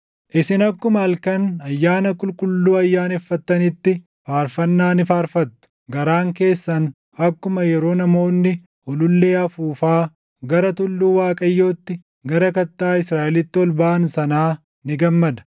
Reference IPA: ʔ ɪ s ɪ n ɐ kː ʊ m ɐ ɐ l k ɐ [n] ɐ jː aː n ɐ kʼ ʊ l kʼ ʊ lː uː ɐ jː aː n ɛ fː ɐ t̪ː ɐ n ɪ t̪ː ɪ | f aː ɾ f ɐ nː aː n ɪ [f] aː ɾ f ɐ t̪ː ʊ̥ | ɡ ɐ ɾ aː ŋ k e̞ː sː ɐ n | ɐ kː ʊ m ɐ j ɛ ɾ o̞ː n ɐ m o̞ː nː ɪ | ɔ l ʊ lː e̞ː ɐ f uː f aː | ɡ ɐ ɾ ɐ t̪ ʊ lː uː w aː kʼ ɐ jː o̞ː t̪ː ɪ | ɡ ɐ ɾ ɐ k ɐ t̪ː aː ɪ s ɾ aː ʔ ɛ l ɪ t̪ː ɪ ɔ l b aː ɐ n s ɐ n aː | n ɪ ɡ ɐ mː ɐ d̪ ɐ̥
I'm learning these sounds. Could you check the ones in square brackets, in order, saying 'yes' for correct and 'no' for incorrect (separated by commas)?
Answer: yes, yes